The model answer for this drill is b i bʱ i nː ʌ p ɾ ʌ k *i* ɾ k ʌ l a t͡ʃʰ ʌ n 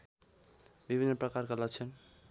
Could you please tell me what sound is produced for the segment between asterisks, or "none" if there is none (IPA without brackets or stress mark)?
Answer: a